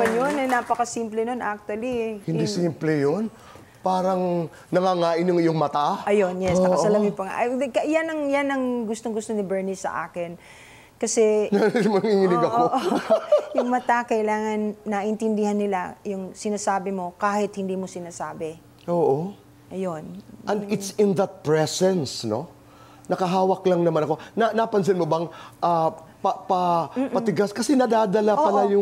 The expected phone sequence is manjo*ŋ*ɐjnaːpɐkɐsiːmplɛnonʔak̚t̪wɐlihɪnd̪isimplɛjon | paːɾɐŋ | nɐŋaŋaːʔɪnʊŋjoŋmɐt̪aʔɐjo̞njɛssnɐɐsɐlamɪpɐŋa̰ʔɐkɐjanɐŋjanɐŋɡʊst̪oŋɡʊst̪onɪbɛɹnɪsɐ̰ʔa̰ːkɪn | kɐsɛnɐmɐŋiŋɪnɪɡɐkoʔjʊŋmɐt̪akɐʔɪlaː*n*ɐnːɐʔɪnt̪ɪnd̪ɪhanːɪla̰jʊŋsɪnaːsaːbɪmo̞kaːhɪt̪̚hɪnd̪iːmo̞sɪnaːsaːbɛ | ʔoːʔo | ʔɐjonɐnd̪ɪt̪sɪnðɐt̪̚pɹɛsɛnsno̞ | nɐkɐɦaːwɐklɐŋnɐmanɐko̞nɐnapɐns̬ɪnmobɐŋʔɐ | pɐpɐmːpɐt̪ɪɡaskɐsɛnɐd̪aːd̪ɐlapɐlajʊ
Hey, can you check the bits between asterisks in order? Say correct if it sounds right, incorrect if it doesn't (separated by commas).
incorrect, incorrect